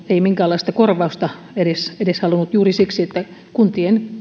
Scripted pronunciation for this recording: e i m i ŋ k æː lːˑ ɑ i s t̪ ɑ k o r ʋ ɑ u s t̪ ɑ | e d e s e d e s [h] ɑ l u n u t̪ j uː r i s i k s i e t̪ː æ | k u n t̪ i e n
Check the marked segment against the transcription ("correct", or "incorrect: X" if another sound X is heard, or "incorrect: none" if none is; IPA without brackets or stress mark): correct